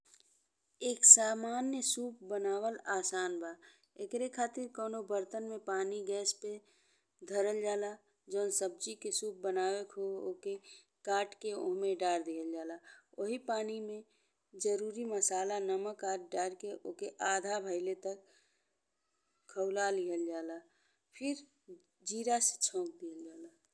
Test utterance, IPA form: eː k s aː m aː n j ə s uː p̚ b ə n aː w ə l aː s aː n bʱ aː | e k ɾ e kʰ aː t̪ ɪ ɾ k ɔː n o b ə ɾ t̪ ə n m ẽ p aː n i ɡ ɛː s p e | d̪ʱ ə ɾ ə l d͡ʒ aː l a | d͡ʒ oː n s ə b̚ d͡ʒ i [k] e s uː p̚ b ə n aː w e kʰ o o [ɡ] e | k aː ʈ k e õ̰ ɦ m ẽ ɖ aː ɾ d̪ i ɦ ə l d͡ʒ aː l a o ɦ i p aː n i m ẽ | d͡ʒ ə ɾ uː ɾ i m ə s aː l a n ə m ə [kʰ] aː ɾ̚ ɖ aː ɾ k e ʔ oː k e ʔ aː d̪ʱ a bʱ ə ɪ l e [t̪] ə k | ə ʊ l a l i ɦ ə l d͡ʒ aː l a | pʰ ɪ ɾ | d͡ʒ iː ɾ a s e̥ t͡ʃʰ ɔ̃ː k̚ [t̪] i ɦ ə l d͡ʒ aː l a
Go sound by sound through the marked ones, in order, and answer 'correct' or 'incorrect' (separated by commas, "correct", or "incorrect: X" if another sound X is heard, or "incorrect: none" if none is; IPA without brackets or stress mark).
correct, incorrect: k, incorrect: k, correct, incorrect: d̪